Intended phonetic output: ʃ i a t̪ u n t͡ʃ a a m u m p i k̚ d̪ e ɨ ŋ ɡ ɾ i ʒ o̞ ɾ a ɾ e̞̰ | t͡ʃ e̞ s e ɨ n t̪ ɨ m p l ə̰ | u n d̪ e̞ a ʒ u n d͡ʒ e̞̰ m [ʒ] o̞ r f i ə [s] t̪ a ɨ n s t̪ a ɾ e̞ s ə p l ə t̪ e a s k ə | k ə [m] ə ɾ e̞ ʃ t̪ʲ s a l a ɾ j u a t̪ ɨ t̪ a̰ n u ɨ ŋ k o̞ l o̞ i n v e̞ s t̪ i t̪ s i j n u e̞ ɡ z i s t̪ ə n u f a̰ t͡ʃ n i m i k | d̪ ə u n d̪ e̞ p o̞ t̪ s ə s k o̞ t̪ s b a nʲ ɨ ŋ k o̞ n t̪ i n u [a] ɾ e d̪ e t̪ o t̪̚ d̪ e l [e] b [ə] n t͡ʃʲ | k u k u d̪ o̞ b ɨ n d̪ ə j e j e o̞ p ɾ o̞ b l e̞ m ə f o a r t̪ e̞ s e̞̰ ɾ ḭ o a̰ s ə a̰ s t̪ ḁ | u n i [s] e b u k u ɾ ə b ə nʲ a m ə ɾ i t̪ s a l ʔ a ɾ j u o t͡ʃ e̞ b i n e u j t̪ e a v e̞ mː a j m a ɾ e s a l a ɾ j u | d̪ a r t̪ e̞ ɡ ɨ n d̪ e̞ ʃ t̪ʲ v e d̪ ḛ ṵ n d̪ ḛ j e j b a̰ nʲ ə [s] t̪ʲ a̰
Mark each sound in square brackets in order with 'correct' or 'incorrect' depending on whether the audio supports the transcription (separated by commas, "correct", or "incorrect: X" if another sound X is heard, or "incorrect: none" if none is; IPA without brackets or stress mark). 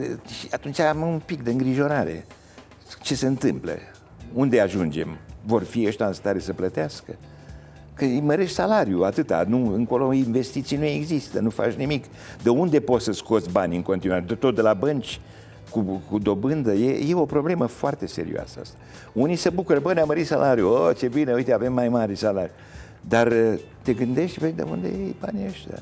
incorrect: v, incorrect: ʃ, correct, correct, incorrect: a, correct, correct, incorrect: ʃ